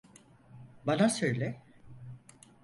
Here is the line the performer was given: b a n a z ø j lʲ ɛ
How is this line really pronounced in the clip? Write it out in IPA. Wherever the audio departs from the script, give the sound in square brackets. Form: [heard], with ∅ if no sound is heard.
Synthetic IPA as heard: b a n a [s] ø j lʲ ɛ